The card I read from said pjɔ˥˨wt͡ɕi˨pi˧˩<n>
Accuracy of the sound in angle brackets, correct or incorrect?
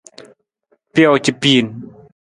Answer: correct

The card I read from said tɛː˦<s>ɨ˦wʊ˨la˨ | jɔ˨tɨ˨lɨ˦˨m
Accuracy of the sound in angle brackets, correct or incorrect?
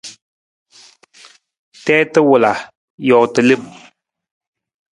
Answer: incorrect: t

